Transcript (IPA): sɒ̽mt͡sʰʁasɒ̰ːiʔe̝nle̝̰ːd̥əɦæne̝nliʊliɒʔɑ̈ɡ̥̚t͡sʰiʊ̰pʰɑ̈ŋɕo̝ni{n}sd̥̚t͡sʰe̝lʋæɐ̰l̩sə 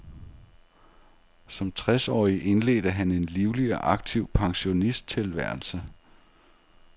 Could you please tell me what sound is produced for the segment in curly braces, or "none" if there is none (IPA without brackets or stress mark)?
none